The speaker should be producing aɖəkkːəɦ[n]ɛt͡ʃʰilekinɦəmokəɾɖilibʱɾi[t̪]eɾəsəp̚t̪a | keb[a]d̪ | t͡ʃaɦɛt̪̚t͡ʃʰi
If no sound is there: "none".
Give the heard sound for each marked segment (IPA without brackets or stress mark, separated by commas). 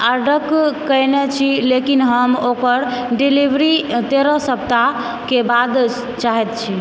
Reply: n, t̪, a